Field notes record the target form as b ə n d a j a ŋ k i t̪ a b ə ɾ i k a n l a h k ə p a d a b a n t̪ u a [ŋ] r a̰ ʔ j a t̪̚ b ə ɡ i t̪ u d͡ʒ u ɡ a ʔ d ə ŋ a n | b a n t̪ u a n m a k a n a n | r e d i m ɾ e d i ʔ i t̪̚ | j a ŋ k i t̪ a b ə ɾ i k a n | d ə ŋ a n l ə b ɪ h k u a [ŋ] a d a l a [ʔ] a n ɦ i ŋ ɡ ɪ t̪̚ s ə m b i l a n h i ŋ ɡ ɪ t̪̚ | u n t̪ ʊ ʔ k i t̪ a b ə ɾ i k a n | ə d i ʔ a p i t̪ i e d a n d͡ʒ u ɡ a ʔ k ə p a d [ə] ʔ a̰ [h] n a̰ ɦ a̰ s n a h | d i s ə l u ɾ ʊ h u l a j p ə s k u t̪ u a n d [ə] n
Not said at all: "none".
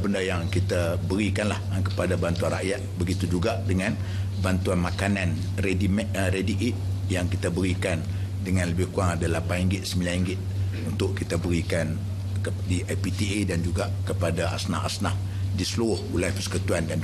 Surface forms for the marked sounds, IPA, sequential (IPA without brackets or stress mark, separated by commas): n, ŋ, p, a, s, a